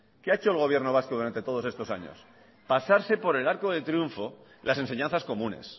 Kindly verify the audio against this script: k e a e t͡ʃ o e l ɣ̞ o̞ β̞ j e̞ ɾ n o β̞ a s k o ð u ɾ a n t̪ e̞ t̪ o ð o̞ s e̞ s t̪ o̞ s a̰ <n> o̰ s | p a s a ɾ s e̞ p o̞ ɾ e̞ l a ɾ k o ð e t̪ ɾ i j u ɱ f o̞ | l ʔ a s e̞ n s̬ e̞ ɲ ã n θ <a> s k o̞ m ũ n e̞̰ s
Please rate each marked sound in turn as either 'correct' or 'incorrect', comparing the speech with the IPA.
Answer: incorrect: ɲ, correct

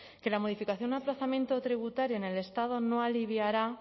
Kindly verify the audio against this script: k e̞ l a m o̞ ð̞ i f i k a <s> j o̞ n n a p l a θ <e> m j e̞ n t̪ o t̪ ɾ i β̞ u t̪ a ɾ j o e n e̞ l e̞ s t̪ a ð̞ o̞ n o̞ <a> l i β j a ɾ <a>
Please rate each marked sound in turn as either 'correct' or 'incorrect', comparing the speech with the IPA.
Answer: incorrect: θ, incorrect: a, correct, correct

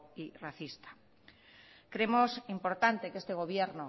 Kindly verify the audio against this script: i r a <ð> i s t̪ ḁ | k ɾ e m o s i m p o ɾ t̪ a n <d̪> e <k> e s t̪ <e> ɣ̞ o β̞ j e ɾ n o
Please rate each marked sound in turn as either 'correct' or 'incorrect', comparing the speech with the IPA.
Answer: incorrect: θ, incorrect: t̪, correct, correct

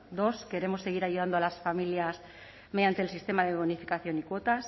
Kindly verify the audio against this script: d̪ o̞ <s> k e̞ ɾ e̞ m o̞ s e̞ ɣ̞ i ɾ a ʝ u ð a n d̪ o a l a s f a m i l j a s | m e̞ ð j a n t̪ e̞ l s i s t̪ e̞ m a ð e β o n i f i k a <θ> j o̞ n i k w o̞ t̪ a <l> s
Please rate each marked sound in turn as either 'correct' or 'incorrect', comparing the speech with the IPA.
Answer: correct, correct, incorrect: none

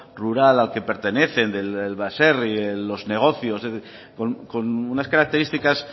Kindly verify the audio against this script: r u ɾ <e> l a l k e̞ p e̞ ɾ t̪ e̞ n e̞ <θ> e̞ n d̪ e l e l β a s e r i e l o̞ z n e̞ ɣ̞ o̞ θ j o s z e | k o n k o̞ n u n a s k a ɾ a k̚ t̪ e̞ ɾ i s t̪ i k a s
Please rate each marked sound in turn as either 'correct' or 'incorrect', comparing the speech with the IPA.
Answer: incorrect: a, correct

